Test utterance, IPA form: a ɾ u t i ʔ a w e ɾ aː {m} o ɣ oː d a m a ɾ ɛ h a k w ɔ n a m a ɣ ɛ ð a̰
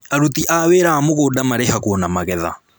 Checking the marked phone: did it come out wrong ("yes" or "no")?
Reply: no